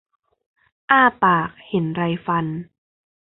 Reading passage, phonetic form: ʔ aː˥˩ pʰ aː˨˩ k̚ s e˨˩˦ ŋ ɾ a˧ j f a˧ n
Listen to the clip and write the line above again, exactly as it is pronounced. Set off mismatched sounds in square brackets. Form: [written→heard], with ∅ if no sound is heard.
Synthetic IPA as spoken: ʔ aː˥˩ [pʰ→p] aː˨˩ k̚ [s→h] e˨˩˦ [ŋ→n] ɾ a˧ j f a˧ n